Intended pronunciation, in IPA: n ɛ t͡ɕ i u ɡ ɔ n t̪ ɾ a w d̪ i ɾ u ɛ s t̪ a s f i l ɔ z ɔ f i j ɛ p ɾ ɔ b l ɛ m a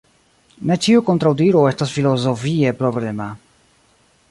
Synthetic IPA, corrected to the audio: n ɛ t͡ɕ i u k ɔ n t̪ ɾ a w d̪ i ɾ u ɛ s t̪ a s f i l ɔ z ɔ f i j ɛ p ɾ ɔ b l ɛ m a